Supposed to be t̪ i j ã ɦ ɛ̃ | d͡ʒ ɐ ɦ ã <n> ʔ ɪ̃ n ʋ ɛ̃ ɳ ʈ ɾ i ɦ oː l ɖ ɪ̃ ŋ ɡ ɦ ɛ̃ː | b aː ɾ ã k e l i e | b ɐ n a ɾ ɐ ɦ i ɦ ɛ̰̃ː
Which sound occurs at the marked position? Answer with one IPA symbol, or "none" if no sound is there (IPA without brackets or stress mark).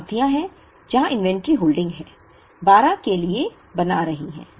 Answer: none